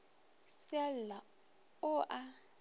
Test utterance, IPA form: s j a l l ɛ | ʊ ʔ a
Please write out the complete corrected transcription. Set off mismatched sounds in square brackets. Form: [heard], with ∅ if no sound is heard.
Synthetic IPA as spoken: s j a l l [a] | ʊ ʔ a